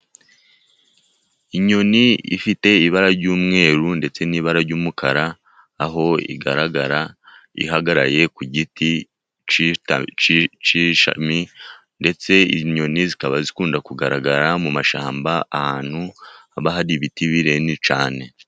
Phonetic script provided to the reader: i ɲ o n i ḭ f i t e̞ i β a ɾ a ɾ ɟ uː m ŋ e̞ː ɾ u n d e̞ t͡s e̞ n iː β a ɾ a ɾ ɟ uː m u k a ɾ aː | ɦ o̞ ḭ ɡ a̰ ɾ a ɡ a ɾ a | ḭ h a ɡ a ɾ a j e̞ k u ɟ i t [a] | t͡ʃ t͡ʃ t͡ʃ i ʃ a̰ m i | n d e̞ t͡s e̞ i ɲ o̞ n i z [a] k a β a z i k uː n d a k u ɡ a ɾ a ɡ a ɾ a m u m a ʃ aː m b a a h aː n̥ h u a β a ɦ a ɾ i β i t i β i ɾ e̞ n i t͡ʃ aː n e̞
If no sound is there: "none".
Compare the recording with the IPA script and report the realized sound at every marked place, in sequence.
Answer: i, i

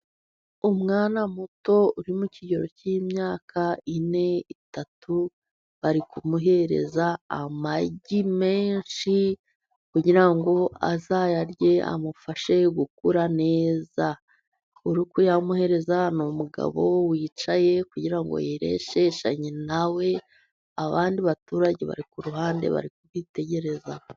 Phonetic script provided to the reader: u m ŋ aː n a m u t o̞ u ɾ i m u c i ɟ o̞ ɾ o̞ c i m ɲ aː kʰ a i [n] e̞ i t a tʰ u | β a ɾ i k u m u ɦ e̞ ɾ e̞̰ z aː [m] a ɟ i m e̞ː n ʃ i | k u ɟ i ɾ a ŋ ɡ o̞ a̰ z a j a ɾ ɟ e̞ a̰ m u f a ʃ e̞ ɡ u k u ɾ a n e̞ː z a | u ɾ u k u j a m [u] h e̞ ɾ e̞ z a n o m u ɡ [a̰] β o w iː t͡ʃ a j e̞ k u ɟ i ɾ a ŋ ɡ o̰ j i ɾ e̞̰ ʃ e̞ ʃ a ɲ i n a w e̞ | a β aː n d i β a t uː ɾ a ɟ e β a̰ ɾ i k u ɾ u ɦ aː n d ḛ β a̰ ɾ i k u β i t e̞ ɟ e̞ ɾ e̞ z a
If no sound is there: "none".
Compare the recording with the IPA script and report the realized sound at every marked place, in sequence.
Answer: n, m, u, a̰

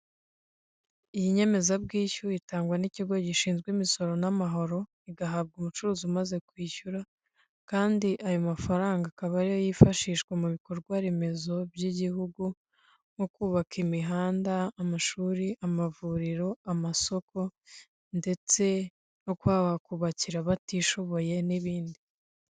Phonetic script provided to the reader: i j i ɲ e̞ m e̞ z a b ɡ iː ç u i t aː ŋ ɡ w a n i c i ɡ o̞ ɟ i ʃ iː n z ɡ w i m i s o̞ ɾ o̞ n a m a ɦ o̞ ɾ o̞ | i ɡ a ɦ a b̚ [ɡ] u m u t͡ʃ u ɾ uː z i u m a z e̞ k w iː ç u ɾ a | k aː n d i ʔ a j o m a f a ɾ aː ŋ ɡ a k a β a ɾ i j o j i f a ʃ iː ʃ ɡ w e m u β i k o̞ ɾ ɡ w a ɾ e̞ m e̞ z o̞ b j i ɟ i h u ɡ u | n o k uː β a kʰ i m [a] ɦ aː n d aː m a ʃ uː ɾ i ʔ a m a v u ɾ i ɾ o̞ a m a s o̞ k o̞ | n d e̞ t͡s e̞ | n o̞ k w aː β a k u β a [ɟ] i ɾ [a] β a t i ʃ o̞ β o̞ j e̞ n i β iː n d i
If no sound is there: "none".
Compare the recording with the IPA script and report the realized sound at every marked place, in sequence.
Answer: ɡ, i, c, a

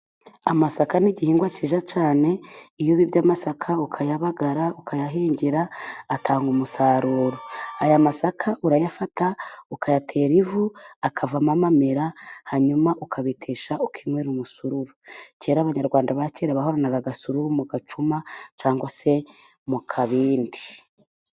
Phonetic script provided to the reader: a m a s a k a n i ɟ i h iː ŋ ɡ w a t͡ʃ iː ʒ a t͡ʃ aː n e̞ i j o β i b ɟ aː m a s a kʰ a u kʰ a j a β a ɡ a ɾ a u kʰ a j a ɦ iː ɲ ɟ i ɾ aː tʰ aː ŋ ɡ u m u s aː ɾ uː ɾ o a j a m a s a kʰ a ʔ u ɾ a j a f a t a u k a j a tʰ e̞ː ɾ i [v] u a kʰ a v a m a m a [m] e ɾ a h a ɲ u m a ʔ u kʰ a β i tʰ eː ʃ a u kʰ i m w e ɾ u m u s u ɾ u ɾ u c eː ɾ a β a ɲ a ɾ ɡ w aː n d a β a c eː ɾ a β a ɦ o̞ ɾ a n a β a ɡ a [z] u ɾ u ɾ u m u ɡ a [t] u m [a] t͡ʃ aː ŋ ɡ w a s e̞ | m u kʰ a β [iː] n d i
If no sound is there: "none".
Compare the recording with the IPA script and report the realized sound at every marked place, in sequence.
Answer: v, m, s, t͡ʃ, a, iː

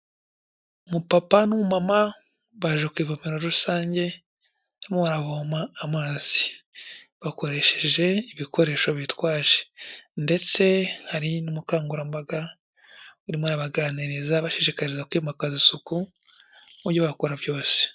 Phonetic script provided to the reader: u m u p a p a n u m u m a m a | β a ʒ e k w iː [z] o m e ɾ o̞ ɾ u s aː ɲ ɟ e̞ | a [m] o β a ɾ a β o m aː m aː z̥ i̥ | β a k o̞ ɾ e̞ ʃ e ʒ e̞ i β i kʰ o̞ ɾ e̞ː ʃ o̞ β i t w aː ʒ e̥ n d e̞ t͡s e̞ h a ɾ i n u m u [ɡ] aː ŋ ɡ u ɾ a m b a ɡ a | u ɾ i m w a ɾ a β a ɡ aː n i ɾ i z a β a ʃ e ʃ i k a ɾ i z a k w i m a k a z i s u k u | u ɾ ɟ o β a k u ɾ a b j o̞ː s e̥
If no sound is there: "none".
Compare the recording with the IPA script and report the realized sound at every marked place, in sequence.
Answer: v, m, k

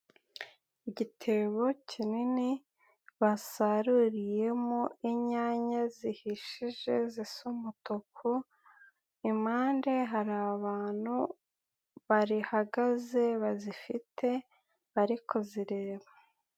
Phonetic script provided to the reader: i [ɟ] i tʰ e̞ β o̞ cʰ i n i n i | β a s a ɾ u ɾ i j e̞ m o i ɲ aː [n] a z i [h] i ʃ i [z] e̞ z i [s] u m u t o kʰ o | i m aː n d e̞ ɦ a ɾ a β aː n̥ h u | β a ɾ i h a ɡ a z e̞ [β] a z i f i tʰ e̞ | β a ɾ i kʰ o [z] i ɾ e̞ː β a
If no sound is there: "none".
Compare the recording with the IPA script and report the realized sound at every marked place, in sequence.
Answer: ɟ, ɲ, h, ʒ, s, β, z

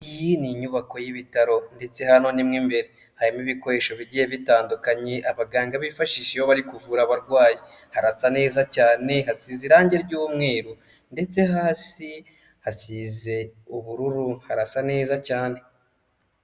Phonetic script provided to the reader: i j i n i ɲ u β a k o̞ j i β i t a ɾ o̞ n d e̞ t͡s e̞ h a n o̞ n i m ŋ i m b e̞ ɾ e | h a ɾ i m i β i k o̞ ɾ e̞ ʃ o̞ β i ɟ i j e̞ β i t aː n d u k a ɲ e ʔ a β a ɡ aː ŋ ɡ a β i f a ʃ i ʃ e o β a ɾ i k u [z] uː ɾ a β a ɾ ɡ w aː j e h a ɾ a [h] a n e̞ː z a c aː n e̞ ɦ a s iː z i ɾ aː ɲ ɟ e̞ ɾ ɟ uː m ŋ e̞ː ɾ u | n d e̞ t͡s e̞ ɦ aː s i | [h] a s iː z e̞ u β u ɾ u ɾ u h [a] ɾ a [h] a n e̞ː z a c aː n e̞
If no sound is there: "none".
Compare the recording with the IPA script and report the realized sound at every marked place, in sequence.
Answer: v, s, h, a, s

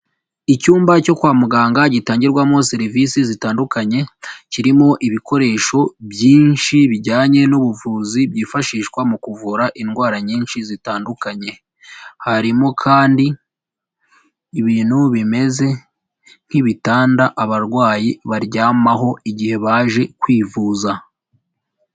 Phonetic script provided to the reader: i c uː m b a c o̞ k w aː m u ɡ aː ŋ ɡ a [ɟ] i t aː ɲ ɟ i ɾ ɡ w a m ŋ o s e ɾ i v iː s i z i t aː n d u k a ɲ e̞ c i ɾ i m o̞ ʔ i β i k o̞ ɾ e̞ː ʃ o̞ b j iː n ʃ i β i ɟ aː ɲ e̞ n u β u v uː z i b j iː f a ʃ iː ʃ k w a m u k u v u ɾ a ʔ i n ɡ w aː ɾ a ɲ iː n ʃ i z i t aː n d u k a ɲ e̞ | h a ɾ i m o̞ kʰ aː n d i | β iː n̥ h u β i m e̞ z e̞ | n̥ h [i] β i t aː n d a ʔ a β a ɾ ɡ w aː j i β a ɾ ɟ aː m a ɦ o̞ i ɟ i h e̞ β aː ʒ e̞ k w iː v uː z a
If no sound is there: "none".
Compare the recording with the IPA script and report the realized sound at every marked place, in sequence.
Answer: ɟ, i

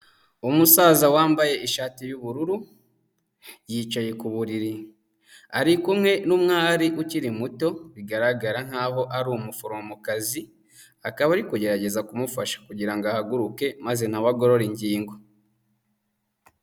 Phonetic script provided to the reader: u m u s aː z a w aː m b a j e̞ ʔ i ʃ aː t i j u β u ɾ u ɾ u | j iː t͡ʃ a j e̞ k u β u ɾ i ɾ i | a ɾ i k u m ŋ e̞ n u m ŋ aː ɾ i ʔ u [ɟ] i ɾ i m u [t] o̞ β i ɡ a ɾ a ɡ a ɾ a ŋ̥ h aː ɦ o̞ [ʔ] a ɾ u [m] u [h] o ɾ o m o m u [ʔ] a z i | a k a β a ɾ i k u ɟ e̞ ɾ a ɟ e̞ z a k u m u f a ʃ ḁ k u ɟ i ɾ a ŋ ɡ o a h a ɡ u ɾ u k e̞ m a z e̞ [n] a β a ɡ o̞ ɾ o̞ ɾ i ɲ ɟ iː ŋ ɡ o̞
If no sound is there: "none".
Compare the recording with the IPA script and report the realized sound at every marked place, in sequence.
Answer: c, t, ʔ, m, f, k, n

